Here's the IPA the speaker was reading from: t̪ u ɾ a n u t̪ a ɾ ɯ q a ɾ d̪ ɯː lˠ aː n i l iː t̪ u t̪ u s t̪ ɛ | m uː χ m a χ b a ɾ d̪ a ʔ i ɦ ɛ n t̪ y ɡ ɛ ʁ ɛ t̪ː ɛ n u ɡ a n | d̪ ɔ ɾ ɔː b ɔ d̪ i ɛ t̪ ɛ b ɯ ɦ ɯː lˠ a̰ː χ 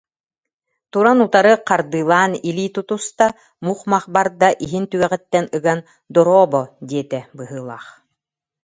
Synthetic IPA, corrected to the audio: t̪ u ɾ a n u t̪ a ɾ ɯ q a ɾ d̪ ɯː lˠ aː n i l iː t̪ u t̪ u s t̪ a | m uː χ m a χ b a ɾ d̪ a ʔ i ɦ i n t̪ y ɡ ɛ ʁ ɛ t̪ː ɛ n ɯ ɡ a n | d̪ ɔ ɾ ɔː b ɔ d̪ i ɛ t̪ ɛ b ɯ ɦ ɯː lˠ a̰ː χ

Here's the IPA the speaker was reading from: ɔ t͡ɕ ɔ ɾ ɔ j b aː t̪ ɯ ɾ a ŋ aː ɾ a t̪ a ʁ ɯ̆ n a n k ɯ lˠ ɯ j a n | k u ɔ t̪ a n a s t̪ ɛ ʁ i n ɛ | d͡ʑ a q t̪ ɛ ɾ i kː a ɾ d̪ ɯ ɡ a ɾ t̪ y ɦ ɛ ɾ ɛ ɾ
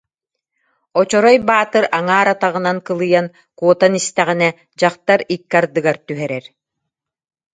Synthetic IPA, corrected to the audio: ɔ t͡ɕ ɔ ɾ ɔ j b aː t̪ ɯ ɾ a ŋ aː ɾ a t̪ a ʁ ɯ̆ n a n k ɯ lˠ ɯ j a n | k u ɔ t̪ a n i s t̪ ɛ ʁ i n ɛ | d͡ʑ a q t̪ a ɾ i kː a ɾ d̪ ɯ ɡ a ɾ t̪ y ɦ ɛ ɾ ɛ ɾ

